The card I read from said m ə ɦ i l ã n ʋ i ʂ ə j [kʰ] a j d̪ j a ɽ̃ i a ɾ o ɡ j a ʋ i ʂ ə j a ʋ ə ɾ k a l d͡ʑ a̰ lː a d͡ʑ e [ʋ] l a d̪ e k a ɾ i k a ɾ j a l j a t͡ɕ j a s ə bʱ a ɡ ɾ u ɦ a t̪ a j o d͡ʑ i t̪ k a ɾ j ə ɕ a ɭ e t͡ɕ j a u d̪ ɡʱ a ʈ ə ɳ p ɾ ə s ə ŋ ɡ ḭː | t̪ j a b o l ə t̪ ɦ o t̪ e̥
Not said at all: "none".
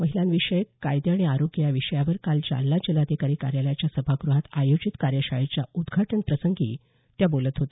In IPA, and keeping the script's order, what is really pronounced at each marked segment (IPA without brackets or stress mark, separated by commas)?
k, none